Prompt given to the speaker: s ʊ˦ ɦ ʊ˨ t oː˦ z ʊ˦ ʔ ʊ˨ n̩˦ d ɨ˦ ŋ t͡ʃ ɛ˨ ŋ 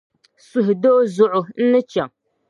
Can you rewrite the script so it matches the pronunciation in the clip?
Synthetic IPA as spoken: s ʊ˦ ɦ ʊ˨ d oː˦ z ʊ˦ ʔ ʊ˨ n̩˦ n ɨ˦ t͡ʃ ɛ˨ ŋ